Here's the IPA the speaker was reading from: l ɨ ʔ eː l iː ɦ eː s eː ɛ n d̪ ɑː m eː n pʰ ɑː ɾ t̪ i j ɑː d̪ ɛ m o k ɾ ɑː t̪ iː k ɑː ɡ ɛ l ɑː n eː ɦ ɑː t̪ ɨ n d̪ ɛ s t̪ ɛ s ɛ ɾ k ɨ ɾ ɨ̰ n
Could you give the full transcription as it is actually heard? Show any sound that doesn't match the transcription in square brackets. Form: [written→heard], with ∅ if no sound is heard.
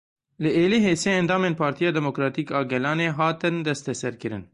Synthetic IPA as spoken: l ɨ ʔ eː l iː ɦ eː s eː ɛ n d̪ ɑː m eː n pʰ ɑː ɾ t̪ i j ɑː d̪ ɛ m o k ɾ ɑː t̪ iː k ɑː ɡ ɛ l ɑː n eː ɦ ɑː t̪ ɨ n d̪ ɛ s t̪ ɛ s ɛ ɾ k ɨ ɾ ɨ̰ n